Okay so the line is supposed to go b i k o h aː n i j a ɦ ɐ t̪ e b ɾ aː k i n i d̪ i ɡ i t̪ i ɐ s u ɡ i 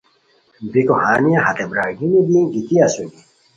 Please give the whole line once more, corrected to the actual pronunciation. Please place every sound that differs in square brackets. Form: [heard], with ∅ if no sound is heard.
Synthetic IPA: b i k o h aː n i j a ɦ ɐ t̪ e b ɾ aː [ɡ] i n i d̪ i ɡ i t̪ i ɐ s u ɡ i

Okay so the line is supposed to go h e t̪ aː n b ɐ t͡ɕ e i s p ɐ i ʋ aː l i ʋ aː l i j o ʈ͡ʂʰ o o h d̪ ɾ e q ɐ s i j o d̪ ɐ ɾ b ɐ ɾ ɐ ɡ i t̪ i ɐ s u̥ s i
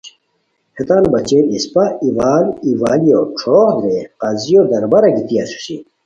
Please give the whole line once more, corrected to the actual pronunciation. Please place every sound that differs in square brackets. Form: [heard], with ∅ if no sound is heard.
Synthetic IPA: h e t̪ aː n b ɐ t͡ɕ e i s p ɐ i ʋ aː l i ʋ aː l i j o ʈ͡ʂʰ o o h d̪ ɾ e q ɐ [z] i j o d̪ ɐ ɾ b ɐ ɾ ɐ ɡ i t̪ i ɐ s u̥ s i

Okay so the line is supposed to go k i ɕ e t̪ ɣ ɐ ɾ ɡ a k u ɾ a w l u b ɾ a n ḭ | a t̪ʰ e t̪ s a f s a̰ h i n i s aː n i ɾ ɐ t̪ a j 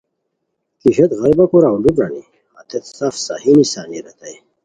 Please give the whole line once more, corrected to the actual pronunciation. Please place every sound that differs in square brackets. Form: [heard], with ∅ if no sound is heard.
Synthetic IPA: k i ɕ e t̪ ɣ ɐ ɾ [b] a k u ɾ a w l u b ɾ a n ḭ | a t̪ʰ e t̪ s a f s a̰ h i n i s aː n i ɾ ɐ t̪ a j

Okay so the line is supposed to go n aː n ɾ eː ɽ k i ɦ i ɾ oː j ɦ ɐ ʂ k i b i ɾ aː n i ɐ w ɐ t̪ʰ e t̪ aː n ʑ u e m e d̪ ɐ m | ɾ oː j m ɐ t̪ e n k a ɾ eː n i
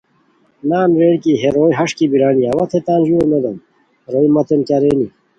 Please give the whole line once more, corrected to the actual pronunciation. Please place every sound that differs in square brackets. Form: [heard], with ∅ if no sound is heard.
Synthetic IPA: n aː n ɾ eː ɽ k i ɦ [e] ɾ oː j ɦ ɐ ʂ k i b i ɾ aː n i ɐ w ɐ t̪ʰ e t̪ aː n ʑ u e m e d̪ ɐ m | ɾ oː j m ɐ t̪ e n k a ɾ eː n i

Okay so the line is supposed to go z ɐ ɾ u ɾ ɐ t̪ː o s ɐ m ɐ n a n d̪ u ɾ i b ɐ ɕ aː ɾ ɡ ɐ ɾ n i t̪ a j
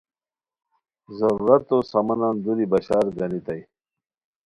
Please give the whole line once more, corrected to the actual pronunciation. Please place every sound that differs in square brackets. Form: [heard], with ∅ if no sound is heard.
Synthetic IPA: z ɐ ɾ u ɾ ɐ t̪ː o s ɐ m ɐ n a n d̪ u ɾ i b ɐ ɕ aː ɾ ɡ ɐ [∅] n i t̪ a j

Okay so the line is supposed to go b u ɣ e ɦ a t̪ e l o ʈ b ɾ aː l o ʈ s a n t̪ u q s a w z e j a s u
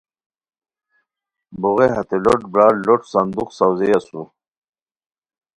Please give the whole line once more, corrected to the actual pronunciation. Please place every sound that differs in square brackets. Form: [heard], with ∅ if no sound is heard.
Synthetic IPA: b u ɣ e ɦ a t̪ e l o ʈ b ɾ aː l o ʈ s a n [d̪] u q s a w z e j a s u

